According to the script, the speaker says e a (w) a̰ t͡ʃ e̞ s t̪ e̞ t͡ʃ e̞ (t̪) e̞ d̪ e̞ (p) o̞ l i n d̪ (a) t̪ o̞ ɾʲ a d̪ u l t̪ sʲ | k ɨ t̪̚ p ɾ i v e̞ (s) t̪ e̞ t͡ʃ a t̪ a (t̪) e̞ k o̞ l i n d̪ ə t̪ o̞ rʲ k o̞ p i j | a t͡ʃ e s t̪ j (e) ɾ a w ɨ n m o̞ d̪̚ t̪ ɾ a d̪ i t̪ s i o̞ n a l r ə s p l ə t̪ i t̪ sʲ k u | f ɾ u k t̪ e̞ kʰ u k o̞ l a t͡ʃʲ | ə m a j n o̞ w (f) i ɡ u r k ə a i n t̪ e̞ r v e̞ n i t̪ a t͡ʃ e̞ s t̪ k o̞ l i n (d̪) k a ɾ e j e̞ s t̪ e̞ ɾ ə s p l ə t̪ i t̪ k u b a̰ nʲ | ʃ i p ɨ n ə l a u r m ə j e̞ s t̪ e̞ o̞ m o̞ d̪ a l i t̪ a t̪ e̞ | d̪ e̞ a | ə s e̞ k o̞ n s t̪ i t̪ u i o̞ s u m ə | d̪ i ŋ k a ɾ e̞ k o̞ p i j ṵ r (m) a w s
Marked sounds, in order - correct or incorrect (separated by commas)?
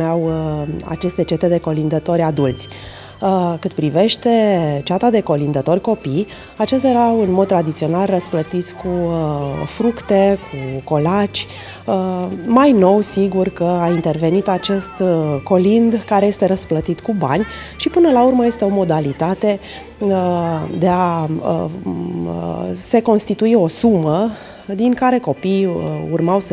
correct, correct, incorrect, incorrect, incorrect, incorrect, correct, incorrect, correct, correct